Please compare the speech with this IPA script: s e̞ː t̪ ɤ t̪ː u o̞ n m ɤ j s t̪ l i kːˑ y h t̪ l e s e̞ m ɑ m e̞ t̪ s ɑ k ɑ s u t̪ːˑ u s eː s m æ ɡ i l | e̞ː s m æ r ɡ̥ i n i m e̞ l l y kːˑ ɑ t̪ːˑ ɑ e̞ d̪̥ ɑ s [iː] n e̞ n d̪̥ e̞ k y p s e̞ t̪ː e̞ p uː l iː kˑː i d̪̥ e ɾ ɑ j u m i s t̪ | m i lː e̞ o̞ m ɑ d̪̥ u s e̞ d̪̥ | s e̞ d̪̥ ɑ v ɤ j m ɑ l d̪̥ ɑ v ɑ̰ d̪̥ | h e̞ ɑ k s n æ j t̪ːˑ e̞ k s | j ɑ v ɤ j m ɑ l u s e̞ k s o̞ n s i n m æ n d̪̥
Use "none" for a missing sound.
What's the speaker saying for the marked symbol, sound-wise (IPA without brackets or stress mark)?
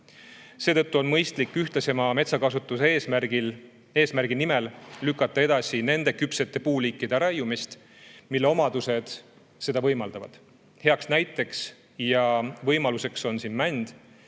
i